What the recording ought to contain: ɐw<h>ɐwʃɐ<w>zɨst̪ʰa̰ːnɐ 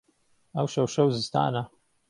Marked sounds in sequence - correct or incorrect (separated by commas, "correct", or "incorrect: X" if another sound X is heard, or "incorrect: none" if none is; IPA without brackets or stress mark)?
incorrect: ʃ, correct